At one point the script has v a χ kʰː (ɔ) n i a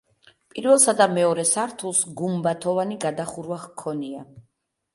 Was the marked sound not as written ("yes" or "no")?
no